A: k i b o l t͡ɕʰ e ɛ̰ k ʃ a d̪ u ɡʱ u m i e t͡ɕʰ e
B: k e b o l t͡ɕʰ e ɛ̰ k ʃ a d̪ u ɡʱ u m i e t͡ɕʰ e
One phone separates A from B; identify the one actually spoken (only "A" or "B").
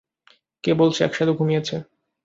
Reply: B